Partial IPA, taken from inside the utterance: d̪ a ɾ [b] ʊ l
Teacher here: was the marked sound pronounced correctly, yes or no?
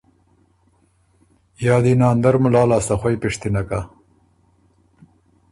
no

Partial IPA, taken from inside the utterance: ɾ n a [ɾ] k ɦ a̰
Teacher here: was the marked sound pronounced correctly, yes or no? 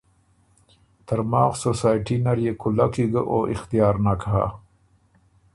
no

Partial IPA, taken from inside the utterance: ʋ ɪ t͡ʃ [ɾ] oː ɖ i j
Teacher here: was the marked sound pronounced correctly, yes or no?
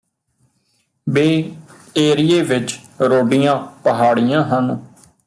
yes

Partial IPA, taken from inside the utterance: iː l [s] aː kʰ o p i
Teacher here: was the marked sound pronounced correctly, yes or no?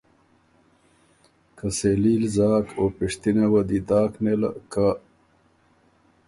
no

